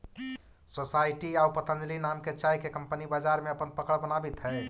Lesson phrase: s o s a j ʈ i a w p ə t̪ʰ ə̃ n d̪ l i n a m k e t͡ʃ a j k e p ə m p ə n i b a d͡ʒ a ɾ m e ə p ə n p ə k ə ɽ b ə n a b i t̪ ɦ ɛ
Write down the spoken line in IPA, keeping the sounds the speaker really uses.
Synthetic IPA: s o s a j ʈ i a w p ə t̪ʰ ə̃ n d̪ l i n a m k e t͡ʃ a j k e k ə m p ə n i b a d͡ʒ a ɾ m e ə p ə n p ə k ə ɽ b ə n a b i t̪ ɦ ɛ